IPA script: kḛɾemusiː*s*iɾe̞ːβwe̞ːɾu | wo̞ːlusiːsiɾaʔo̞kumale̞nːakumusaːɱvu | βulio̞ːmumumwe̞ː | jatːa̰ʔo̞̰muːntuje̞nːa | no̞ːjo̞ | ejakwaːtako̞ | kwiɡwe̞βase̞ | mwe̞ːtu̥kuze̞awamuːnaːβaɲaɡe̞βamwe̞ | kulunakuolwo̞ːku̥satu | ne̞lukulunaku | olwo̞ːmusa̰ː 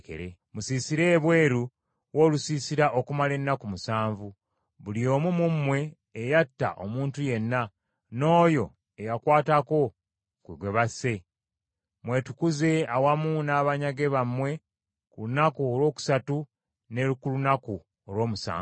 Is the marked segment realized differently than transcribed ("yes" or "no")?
no